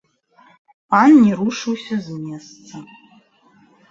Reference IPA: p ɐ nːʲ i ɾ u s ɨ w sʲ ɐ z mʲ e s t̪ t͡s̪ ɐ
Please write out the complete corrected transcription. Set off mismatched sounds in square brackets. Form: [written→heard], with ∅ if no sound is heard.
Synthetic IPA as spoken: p [ɐ→a] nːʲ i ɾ u [s→ʂ] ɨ w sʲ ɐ z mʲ e s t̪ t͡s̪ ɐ